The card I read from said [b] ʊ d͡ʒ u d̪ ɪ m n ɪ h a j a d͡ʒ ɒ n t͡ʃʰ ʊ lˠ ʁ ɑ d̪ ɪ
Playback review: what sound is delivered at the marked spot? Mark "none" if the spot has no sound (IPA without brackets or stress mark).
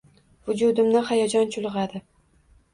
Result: v